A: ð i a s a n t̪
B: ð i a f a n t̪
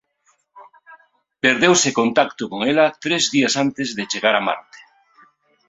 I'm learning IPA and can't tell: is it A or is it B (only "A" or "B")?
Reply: A